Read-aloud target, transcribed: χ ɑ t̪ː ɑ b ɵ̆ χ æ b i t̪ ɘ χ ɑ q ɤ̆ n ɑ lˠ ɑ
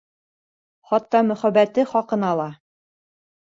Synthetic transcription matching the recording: χ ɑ t̪ː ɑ m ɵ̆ χ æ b æ t̪ ɘ χ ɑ q ɤ̆ n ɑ lˠ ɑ

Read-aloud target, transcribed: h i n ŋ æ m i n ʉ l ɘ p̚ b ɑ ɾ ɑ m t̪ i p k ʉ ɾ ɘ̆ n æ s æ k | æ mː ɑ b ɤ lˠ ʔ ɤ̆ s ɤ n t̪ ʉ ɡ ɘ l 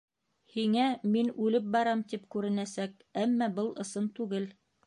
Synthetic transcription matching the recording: h i ŋ æ m i n ʉ l ɘ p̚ b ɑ ɾ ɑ m t̪ i p k ʉ ɾ ɘ̆ n æ s æ k | æ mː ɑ b ɤ lˠ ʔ ɤ̆ s ɤ n t̪ ʉ ɡ ɘ l

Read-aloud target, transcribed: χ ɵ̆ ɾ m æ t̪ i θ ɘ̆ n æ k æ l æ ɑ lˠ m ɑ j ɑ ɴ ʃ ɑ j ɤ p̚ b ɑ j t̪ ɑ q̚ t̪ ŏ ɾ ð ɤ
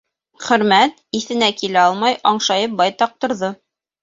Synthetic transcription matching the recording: χ ɵ̆ ɾ m æ t̪ i θ ɘ̆ n æ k i l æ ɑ lˠ m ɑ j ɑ ɴ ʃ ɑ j ɤ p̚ b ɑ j t̪ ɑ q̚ t̪ ŏ ɾ ð ɤ

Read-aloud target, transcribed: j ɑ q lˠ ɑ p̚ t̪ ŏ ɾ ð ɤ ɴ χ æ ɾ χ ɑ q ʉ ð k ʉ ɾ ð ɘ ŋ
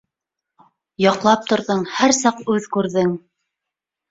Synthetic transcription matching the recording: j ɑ q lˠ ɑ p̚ t̪ ŏ ɾ ð ɤ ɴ h æ ɾ s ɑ q ʉ ð k ʉ ɾ ð ɘ ŋ

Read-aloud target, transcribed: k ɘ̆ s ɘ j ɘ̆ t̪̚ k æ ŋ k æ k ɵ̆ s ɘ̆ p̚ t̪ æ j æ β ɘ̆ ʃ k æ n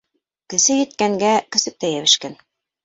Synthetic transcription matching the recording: k ɘ̆ s ɘ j ɘ̆ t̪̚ k æ ŋ ɡ æ k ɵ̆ s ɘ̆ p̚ t̪ æ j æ β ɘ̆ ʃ k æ n

